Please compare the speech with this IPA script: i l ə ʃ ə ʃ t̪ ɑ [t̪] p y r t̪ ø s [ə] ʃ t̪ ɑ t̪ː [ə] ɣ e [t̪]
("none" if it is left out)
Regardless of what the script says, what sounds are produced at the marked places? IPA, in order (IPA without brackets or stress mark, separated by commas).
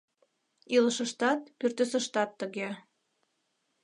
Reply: t̪, ə, ə, none